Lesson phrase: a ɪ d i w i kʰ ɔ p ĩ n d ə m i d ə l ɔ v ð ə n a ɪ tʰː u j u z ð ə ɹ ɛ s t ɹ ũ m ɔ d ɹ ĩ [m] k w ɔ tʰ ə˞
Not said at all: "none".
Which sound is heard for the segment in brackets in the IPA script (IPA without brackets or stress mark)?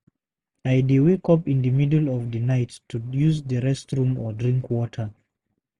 ŋ